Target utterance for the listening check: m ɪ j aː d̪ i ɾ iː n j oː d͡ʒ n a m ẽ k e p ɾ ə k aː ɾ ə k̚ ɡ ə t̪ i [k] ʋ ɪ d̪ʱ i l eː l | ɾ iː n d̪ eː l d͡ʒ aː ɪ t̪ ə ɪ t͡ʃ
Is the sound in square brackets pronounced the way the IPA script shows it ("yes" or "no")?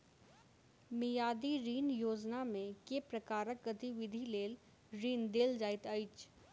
no